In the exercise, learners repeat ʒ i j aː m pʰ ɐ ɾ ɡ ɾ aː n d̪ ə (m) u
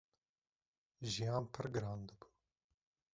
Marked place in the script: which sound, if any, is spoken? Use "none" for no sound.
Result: b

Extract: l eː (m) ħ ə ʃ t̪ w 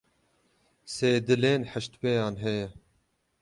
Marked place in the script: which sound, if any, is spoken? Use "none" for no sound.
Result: n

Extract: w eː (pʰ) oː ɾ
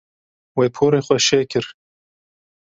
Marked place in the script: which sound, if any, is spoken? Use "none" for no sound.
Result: pʰ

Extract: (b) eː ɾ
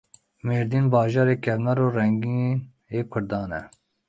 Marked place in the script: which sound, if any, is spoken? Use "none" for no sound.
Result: m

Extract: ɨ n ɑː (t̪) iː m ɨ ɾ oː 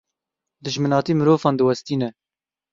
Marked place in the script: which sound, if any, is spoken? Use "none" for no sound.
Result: t̪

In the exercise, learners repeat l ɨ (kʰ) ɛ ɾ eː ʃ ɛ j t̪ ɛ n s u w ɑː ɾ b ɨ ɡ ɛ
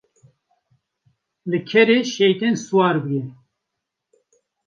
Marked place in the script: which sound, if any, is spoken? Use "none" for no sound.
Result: kʰ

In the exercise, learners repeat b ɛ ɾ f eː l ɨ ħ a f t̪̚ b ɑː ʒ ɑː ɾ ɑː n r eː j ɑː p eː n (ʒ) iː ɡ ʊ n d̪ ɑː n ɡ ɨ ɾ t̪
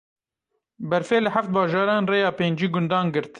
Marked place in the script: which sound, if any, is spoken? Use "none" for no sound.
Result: d͡ʒ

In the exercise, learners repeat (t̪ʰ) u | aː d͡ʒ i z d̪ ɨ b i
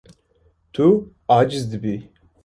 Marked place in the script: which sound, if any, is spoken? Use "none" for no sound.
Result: t̪ʰ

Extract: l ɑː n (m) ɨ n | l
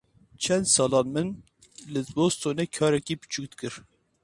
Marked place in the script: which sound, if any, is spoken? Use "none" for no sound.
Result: m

